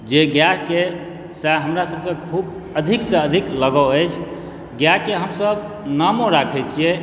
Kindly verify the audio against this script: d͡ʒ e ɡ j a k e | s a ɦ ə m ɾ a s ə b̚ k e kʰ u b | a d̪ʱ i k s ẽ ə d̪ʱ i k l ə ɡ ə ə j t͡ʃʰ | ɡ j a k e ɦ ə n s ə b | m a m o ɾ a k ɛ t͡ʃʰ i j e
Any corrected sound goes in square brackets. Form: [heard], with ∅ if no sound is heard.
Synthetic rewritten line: d͡ʒ e ɡ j a k e | s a ɦ ə m ɾ a s ə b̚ k e kʰ u b | [ə] d̪ʱ i k s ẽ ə d̪ʱ i k l ə ɡ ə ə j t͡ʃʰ | ɡ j a k e ɦ ə [m] s ə b | [n] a m o ɾ a [kʰ] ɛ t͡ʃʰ i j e